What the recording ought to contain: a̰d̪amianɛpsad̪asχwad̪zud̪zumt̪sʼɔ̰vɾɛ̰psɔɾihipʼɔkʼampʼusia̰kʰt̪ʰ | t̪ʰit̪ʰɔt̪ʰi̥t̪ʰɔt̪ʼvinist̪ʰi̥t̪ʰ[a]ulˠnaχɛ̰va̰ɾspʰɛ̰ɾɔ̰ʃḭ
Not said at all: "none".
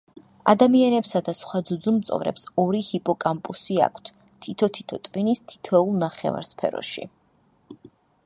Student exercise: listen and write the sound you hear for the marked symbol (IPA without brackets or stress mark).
ɛ